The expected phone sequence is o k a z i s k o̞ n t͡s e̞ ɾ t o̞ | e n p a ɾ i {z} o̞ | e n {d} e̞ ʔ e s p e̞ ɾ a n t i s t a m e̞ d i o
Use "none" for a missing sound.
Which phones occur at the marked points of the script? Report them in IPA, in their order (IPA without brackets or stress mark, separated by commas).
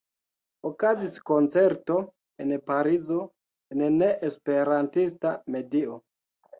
z, n